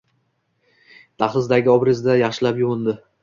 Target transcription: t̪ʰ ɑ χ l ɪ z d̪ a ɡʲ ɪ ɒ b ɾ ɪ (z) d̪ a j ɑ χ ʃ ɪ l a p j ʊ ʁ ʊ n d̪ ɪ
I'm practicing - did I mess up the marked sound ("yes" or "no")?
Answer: no